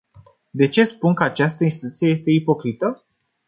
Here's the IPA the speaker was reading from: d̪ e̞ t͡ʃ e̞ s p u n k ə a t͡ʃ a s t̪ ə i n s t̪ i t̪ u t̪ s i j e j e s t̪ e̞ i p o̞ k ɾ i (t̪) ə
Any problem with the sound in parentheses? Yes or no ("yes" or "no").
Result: no